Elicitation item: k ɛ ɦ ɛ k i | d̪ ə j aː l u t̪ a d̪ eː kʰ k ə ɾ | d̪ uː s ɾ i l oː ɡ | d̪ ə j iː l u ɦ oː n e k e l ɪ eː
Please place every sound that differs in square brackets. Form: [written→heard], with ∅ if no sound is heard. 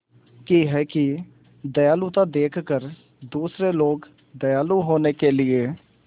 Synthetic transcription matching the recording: k [ɛ→i] ɦ ɛ k i | d̪ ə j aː l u t̪ a d̪ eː kʰ k ə ɾ | d̪ uː s ɾ [i→e] l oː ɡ | d̪ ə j [iː→aː] l u ɦ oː n e k e l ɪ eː